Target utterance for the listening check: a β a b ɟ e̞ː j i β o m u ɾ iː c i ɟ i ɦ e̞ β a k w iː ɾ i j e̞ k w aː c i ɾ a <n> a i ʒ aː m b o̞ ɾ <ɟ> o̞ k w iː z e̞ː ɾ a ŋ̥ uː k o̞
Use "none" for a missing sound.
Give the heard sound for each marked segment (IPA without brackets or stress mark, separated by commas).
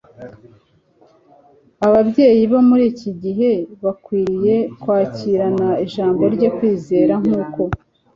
n, ɟ